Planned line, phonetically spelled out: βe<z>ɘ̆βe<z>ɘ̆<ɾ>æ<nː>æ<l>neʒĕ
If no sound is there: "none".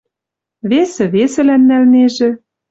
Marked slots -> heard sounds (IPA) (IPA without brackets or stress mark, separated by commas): s, s, l, nː, l